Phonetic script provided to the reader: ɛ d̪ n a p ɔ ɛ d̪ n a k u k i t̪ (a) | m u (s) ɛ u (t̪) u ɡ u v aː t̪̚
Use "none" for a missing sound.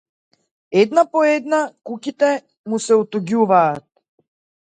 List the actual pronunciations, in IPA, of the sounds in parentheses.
ɛ, s, t̪

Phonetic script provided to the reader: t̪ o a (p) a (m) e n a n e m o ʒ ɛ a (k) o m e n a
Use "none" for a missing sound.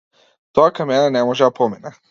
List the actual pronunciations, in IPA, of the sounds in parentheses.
k, m, p

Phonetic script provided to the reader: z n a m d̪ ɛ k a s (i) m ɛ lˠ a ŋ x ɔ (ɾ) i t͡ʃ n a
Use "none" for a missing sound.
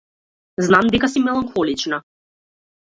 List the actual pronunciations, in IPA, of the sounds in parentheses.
i, l

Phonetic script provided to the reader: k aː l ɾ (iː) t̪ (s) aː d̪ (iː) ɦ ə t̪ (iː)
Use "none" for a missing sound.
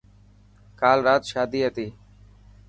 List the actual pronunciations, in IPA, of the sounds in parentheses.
aː, ʃ, iː, iː

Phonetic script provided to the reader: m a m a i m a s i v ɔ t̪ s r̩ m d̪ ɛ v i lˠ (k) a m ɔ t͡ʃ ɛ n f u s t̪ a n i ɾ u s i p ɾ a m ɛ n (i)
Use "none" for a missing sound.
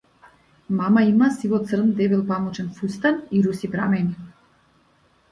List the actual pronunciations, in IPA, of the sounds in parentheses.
p, i

